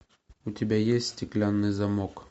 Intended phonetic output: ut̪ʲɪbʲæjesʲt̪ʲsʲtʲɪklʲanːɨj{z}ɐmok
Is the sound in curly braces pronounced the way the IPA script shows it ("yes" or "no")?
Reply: yes